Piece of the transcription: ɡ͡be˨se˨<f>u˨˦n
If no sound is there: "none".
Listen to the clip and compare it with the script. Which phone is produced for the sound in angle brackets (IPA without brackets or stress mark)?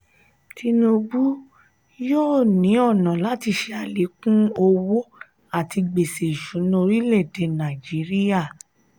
ʃ